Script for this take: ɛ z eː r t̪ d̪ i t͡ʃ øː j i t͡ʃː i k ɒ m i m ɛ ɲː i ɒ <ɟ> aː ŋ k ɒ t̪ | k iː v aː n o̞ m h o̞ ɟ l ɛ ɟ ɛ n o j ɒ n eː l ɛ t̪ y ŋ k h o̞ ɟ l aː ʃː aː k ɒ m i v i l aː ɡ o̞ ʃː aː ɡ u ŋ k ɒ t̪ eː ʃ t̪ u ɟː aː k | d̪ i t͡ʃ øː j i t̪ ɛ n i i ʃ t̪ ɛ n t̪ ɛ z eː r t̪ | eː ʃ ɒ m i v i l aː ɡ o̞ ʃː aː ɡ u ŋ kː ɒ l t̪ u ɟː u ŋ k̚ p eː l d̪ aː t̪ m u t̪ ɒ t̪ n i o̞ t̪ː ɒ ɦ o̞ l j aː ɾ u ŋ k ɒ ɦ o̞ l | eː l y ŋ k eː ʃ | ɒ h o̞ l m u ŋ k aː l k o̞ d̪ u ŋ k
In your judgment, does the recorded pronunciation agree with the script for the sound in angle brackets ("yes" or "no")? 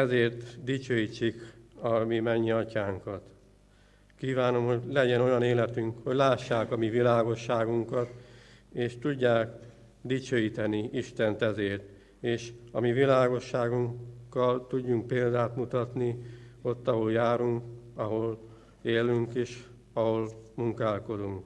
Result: no